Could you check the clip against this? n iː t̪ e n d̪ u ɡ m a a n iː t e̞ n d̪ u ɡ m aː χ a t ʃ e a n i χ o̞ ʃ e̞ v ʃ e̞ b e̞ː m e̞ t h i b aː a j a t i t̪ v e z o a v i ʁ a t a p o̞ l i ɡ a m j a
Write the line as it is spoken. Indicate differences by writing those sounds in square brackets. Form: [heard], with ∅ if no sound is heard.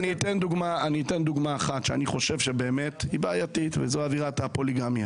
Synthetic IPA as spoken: n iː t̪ e n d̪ u ɡ m a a n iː t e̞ n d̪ u ɡ m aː χ a t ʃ e a n i χ o̞ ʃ e̞ v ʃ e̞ b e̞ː m e̞ t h i b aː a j a t i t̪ v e z o a v i ʁ a t a p o̞ l i ɡ a m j a